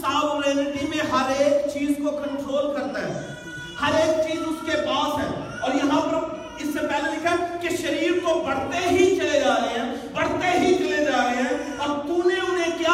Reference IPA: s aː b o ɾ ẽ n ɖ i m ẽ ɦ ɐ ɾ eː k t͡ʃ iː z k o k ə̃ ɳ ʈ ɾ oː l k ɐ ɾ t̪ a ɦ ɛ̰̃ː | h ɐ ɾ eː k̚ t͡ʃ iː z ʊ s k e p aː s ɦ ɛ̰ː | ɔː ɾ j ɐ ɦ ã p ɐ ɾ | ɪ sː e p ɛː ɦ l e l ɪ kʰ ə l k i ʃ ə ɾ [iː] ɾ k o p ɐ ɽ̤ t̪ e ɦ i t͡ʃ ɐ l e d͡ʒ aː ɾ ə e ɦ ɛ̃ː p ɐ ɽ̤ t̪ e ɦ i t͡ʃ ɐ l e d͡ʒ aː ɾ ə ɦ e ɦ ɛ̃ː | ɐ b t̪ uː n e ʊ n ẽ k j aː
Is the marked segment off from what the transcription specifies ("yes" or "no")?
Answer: no